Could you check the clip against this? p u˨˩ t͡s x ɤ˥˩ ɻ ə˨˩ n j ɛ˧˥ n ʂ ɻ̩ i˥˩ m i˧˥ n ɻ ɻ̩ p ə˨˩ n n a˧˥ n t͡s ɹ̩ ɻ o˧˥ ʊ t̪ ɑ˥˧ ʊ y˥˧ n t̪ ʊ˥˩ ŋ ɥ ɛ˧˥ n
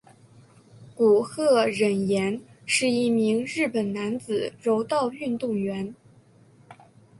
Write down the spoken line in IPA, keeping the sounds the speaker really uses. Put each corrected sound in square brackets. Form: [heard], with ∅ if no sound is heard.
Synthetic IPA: [k] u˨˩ [∅] x ɤ˥˩ ɻ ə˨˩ n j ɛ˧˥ n ʂ ɻ̩ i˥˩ m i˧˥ [ŋ] ɻ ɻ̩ p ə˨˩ n n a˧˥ n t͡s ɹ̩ ɻ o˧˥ ʊ t̪ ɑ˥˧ ʊ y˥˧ n t̪ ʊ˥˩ ŋ ɥ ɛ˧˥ n